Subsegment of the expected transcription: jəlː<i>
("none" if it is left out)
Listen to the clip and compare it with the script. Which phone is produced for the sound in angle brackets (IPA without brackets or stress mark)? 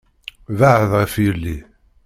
i